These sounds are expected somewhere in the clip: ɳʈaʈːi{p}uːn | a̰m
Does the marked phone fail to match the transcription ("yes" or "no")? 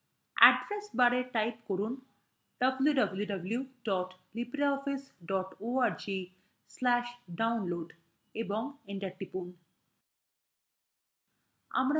no